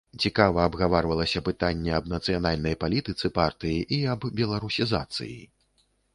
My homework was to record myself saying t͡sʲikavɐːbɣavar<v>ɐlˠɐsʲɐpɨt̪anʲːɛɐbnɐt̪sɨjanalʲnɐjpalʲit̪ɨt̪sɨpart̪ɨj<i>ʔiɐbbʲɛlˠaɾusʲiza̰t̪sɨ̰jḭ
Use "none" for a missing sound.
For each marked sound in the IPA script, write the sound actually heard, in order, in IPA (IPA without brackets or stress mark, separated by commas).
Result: v, i